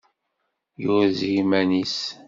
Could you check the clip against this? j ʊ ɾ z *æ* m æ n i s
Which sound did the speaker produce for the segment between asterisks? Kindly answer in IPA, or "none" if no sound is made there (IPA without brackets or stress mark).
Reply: i